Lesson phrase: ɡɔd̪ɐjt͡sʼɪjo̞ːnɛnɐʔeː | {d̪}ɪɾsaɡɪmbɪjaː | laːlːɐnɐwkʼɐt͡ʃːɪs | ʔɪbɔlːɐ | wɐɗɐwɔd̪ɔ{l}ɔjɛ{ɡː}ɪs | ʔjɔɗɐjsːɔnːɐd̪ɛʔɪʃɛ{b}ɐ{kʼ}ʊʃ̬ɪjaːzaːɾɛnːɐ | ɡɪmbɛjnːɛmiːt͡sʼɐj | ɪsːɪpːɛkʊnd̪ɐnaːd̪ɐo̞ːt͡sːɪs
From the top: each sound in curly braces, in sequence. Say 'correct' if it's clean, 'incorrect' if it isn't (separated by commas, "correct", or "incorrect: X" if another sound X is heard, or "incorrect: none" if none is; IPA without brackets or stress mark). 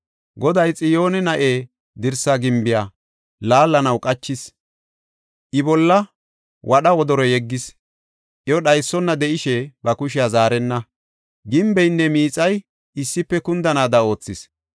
correct, incorrect: ɾ, correct, correct, incorrect: k